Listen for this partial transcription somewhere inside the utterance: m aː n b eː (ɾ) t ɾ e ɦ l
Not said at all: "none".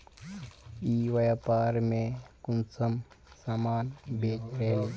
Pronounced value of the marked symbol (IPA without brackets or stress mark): none